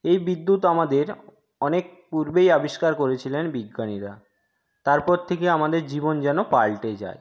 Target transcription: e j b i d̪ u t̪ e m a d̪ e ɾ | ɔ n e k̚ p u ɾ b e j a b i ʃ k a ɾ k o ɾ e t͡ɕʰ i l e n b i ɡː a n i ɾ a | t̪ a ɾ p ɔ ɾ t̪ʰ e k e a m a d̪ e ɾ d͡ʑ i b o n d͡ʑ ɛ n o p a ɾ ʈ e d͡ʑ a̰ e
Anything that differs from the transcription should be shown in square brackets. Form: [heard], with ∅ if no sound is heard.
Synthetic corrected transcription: e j b i [d̪ː] u t̪ [a] m a d̪ e ɾ | ɔ n e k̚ p u ɾ b e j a b i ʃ k a ɾ k o ɾ e t͡ɕʰ i l e n b i ɡː a n i ɾ a | t̪ a ɾ p ɔ ɾ t̪ʰ e k e a m a d̪ e ɾ d͡ʑ i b o n d͡ʑ ɛ n o p a [l] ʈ e d͡ʑ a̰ e